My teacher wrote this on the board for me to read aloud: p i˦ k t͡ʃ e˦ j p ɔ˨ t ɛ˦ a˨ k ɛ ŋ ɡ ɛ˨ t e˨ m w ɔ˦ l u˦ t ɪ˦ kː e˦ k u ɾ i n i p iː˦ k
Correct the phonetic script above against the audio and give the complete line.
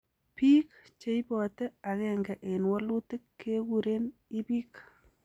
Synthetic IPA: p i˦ k t͡ʃ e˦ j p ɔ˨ t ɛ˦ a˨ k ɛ ŋ ɡ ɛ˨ ʔ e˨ n w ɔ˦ l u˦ t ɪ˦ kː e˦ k u ɾ e n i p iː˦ k